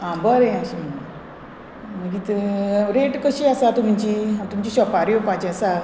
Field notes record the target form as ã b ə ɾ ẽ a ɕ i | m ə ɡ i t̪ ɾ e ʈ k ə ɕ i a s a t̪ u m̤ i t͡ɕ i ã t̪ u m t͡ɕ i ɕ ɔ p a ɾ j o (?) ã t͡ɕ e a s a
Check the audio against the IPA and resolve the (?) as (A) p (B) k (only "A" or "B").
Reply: A